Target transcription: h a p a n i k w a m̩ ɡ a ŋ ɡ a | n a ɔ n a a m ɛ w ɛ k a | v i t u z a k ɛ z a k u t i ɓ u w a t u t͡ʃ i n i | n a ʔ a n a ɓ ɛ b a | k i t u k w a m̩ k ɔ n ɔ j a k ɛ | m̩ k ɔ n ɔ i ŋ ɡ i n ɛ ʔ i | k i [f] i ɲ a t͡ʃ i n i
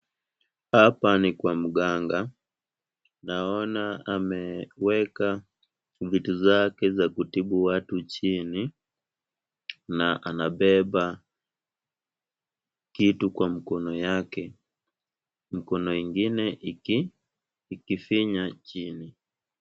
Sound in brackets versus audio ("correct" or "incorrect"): correct